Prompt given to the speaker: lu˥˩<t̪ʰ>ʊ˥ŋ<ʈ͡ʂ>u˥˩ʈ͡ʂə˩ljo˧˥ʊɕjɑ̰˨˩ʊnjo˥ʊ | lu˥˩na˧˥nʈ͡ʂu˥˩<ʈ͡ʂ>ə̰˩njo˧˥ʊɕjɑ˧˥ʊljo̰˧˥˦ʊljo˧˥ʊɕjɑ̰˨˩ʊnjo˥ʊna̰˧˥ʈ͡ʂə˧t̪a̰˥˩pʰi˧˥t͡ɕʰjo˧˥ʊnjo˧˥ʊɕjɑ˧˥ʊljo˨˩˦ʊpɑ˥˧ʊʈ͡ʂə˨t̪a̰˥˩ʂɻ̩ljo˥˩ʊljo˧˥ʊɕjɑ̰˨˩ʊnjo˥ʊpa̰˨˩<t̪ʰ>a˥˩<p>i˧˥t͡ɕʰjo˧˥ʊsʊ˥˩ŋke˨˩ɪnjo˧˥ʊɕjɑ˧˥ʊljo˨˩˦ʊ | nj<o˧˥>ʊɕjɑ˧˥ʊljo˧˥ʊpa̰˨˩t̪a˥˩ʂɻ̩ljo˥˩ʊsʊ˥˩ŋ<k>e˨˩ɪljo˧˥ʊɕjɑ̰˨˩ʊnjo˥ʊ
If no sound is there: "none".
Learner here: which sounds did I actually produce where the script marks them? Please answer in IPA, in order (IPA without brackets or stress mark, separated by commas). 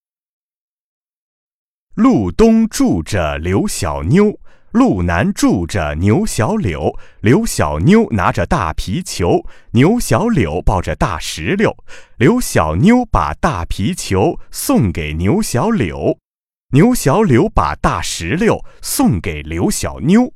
t̪, ʈ͡ʂ, ʈ͡ʂ, t̪, pʰ, o˧˥, k